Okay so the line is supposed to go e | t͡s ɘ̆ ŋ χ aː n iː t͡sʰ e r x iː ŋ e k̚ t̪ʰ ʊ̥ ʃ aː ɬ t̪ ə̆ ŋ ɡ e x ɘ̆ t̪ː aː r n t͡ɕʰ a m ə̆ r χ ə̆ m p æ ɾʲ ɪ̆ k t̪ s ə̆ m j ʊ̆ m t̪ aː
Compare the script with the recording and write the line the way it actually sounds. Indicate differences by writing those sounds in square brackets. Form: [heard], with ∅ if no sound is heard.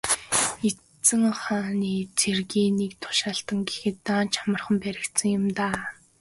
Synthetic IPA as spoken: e | t͡s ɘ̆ ŋ χ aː n iː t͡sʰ e r [ɣ] iː [n] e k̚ t̪ʰ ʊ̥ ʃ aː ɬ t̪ ə̆ ŋ ɡ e x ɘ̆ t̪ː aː [∅] n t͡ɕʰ a m ə̆ r χ ə̆ m p æ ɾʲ ɪ̆ k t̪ s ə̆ [ŋ] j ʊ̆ m t̪ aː